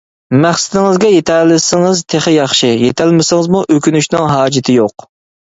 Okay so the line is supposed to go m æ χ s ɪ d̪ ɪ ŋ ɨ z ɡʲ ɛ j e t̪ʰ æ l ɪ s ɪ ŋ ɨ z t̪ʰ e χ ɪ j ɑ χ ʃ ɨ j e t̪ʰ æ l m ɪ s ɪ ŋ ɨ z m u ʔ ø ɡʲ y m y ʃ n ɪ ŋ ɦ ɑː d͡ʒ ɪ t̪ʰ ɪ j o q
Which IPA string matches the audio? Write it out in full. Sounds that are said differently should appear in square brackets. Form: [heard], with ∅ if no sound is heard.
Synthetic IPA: m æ χ s ɪ d̪ ɪ ŋ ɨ z ɡʲ ɛ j e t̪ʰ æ l ɪ s ɪ ŋ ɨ z t̪ʰ e χ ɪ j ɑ χ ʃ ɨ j e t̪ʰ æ l m ɪ s ɪ ŋ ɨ z m u ʔ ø [kʲ] y [n] y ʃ n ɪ ŋ ɦ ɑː d͡ʒ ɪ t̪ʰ ɪ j o q